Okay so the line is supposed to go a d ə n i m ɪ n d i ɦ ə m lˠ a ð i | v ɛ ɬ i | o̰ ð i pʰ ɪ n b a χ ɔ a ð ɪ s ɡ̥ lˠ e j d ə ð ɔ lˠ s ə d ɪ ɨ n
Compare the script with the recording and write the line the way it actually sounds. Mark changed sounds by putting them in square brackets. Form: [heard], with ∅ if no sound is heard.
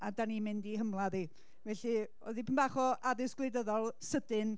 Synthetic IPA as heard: a d [a] n i m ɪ n d i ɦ ə m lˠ a ð i | v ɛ ɬ i | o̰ ð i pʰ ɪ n b a χ ɔ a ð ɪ s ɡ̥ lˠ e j d ə ð ɔ lˠ s ə d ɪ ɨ n